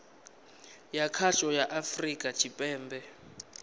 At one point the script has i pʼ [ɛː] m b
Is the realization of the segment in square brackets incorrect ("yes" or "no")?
no